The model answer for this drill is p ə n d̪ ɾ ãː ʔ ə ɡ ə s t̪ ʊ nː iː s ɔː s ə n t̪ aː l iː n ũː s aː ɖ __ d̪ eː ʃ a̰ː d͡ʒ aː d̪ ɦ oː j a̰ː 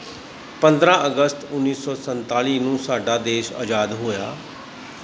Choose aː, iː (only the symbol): aː